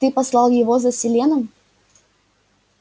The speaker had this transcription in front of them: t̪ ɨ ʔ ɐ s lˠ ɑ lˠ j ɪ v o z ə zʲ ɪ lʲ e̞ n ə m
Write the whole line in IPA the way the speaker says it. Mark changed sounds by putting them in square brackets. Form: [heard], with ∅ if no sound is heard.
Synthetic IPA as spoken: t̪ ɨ [p] ɐ s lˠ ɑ lˠ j ɪ v o z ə [sʲ] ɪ lʲ e̞ n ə m